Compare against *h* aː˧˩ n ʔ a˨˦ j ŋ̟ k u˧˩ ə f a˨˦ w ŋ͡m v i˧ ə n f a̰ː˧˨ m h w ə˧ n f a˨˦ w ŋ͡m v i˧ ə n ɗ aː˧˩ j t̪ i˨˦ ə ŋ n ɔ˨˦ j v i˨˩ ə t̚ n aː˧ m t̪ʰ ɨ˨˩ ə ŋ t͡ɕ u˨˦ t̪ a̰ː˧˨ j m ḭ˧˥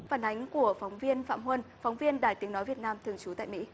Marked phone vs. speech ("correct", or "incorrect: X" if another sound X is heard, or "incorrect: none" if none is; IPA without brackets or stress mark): incorrect: f